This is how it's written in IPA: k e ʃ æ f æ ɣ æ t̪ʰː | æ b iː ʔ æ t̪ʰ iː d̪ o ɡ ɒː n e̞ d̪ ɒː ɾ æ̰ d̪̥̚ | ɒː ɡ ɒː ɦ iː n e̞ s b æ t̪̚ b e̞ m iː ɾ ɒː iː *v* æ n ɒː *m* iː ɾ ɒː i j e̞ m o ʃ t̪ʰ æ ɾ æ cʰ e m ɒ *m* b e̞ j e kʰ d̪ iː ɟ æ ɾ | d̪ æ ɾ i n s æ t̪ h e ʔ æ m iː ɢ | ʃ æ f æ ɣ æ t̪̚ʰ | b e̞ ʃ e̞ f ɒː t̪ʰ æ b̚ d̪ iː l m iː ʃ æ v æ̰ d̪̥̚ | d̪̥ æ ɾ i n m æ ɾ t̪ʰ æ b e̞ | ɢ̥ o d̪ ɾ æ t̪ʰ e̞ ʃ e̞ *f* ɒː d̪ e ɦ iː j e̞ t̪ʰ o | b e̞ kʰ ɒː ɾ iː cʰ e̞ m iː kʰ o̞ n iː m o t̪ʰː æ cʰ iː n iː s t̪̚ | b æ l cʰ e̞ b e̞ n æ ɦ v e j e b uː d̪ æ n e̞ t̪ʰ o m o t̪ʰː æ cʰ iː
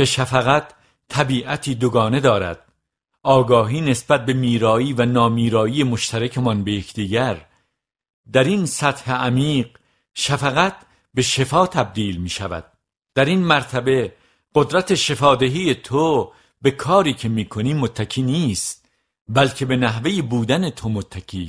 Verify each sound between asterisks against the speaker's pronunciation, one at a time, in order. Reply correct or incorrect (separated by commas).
correct, correct, incorrect, correct